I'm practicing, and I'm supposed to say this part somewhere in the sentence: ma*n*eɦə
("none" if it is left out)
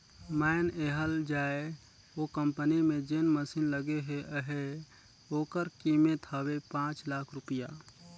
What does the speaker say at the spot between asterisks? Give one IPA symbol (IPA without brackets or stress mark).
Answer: n